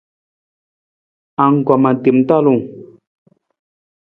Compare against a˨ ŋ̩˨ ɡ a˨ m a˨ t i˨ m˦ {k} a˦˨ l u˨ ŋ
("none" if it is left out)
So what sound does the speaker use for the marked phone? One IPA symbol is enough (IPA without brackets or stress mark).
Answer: t